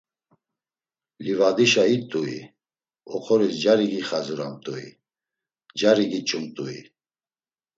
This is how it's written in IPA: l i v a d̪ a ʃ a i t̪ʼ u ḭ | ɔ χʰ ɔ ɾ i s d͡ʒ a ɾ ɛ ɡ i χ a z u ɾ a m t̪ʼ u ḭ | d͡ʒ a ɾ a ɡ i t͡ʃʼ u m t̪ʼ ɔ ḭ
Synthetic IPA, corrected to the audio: l i v a d̪ i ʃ a i t̪ʼ u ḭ | ɔ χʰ ɔ ɾ i s d͡ʒ a ɾ i ɡ i χ a z u ɾ a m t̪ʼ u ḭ | d͡ʒ a ɾ i ɡ i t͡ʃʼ u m t̪ʼ u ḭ